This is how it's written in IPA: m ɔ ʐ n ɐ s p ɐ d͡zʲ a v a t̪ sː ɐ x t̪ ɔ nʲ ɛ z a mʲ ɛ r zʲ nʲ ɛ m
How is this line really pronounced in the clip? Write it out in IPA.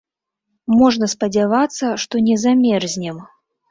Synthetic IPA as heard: m ɔ ʐ n ɐ s p ɐ d͡zʲ a v a t̪ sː ɐ ʂ t̪ ɔ nʲ ɛ z a mʲ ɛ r zʲ nʲ ɛ m